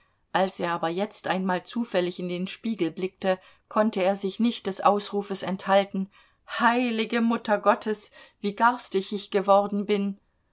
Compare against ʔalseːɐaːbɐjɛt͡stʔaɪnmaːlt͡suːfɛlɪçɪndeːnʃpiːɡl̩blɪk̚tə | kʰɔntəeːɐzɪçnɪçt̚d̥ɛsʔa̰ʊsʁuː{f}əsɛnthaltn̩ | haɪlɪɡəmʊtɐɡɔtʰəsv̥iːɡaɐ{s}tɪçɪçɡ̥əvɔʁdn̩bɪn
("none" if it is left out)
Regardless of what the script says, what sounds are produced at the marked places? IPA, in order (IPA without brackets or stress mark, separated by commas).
f, s